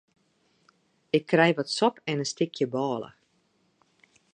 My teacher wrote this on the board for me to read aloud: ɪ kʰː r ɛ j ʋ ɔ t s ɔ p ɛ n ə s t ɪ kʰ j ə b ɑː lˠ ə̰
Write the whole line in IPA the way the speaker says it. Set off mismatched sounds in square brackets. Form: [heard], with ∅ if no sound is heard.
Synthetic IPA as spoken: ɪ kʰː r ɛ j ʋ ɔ t s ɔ p ɛ n ə s t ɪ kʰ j ə b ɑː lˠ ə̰